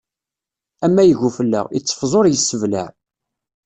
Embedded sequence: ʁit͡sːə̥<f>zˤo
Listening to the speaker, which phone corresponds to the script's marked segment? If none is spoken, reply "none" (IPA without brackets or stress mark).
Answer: f